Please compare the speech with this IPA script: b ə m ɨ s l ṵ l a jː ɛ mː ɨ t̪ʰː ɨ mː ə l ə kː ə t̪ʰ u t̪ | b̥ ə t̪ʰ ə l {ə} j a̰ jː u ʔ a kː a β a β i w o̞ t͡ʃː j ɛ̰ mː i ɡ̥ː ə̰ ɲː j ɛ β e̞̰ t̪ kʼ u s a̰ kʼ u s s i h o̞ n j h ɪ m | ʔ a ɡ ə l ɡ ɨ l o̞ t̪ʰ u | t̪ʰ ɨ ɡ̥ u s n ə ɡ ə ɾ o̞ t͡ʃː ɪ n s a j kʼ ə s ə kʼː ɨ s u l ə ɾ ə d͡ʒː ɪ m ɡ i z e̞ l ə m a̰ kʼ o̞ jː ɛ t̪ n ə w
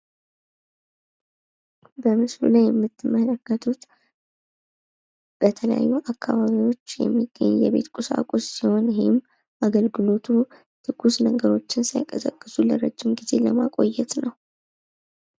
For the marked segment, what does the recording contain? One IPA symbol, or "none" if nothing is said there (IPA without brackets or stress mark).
ə